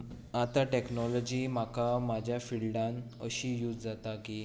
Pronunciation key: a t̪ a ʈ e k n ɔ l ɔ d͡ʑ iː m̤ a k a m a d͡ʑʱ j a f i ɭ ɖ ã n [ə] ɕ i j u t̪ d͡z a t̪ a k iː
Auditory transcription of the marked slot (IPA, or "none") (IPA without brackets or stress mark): ə